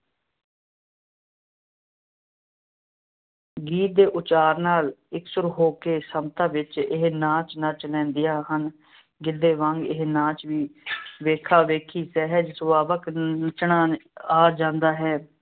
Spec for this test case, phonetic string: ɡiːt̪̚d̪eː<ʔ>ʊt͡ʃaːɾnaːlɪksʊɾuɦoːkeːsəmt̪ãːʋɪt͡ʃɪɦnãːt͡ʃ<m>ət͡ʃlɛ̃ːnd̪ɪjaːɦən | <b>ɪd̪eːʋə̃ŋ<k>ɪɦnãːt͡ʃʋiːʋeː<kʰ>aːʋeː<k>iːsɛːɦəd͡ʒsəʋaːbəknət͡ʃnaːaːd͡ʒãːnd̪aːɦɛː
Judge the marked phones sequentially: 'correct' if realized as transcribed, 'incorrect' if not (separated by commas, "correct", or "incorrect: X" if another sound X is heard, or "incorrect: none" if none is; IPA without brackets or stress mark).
correct, incorrect: n, incorrect: ɡ, incorrect: ɡ, correct, incorrect: kʰ